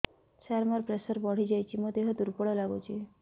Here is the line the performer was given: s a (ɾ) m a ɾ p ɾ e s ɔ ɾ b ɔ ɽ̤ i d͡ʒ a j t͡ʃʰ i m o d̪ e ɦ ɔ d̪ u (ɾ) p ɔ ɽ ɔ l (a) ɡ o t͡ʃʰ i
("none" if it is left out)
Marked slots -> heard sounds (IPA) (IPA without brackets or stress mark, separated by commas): ɾ, ɾ, a